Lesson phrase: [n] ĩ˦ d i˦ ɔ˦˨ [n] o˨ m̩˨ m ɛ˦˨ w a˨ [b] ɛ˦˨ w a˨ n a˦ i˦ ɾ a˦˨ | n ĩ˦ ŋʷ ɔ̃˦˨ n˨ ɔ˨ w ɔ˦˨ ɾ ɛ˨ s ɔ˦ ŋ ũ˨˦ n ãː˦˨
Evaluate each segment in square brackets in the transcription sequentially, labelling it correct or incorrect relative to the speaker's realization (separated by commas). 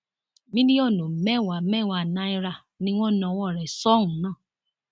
incorrect, correct, incorrect